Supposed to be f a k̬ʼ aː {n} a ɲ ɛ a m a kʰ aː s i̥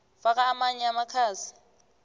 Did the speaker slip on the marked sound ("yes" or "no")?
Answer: yes